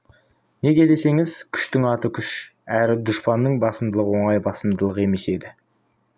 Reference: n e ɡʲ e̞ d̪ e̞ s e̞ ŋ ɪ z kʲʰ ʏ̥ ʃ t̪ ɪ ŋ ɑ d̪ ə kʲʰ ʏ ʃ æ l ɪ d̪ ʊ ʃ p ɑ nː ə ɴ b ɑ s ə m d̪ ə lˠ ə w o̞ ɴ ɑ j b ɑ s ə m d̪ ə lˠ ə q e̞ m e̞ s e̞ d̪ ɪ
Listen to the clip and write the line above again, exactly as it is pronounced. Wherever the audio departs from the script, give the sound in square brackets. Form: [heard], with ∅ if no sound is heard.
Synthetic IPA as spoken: n e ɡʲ e̞ d̪ e̞ s e̞ ŋ ɪ z kʲʰ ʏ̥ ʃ t̪ ɪ ŋ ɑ [t̪] ə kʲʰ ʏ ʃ æ [ɾ] ɪ d̪ ʊ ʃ p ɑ nː ə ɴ b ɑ s ə m d̪ ə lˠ ə w o̞ ɴ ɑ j b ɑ s ə m d̪ ə lˠ ə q e̞ m e̞ s e̞ d̪ ɪ